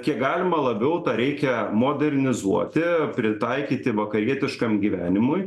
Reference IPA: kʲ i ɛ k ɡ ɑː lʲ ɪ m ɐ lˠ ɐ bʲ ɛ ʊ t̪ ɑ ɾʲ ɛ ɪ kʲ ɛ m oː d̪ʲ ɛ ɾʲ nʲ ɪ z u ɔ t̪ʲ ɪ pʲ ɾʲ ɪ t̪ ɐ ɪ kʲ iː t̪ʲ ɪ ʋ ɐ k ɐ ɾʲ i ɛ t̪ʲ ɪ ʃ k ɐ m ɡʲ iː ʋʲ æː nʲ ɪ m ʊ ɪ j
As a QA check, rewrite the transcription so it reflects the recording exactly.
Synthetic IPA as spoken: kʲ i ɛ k ɡ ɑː lʲ ɪ m ɐ lˠ ɐ bʲ ɛ ʊ t̪ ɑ ɾʲ ɛ ɪ kʲ ɛ m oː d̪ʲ ɛ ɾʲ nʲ ɪ z u ɔ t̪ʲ ɪ pʲ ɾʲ ɪ t̪ ɐ ɪ kʲ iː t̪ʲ ɪ ʋ ɐ k ɐ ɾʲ i ɛ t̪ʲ ɪ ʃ k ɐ m ɡʲ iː ʋʲ æː nʲ ɪ m ʊ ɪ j